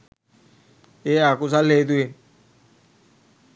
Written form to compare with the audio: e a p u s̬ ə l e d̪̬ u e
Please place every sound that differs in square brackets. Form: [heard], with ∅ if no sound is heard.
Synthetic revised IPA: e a [k] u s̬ [a] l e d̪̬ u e